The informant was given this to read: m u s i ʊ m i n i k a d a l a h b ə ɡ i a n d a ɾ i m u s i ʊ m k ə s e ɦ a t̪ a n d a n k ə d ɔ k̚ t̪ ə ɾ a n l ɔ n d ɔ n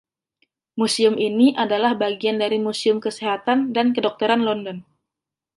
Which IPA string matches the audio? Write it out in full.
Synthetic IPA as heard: m u s i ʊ m i n i ʔ a d a l a h b a ɡ i a n d a ɾ i m u s i ʊ m k ə s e ɦ a t̪ a n d a n k ə d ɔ k̚ t̪ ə ɾ a n l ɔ n d ɔ n